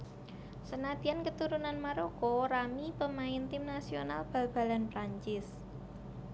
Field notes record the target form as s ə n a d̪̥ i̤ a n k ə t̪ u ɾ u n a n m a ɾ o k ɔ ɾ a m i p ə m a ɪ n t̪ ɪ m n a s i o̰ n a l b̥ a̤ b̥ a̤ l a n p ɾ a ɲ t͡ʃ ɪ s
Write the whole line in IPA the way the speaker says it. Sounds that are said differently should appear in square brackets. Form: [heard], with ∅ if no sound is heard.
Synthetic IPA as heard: s ə n a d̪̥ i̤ a n k ə t̪ u ɾ u n a n m a ɾ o k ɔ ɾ a m i p ə m a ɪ n t̪ ɪ m n a s i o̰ n a l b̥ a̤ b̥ a̤ l a n p ɾ a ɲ t͡ʃ ɪ s